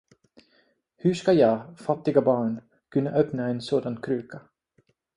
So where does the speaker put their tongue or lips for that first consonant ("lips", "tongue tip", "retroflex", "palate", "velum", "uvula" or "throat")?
throat